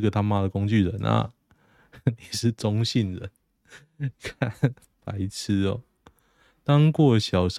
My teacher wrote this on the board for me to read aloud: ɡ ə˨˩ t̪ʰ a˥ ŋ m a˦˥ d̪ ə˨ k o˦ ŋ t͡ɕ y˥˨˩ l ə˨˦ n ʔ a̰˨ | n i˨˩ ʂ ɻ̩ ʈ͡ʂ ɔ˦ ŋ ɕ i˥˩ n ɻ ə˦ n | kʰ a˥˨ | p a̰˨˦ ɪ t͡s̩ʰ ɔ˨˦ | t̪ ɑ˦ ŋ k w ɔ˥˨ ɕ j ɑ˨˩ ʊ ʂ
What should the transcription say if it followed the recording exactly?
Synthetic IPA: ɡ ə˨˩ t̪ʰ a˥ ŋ m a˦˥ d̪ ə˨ k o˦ ŋ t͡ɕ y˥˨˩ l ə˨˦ n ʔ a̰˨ | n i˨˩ ʂ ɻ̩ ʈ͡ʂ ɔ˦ ŋ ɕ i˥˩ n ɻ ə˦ n | kʰ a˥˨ | p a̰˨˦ ɪ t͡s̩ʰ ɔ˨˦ | t̪ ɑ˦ ŋ k w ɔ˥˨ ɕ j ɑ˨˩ ʊ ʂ